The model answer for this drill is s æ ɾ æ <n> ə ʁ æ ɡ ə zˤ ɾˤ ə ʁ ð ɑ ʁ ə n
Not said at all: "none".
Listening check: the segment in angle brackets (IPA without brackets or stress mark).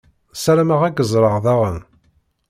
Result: m